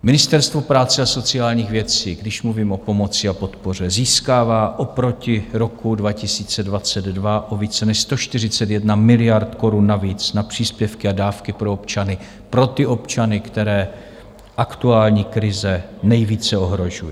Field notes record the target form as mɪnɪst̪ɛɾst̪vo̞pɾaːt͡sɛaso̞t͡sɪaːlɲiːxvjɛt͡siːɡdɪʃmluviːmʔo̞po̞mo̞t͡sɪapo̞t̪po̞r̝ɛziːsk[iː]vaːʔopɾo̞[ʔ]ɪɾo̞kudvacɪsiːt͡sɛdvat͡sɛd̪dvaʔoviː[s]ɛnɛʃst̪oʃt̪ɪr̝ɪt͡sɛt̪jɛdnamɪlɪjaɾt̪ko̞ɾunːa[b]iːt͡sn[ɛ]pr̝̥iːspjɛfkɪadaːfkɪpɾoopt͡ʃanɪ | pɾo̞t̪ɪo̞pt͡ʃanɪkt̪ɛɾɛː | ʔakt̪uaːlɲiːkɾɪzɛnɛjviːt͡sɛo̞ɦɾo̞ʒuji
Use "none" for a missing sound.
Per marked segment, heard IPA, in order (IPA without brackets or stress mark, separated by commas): aː, c, t͡s, v, a